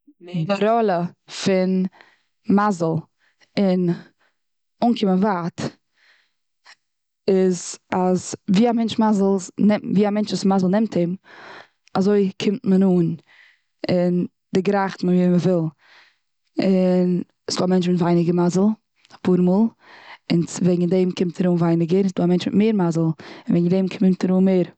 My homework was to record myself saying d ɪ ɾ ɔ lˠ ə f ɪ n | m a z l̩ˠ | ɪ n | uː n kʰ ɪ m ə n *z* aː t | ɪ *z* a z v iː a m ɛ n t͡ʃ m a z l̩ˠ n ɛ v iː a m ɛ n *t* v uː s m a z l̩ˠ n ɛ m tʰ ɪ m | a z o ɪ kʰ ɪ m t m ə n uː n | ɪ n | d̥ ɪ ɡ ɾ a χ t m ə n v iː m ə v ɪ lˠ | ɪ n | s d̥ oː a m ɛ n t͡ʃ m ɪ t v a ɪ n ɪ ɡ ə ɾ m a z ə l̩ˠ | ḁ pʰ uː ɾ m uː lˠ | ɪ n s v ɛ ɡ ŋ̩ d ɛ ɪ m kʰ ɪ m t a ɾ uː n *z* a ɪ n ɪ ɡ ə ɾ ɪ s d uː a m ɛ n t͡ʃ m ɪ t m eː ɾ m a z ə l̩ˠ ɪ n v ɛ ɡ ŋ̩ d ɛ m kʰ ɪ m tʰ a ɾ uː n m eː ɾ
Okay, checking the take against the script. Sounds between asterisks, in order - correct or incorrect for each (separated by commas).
incorrect, correct, incorrect, incorrect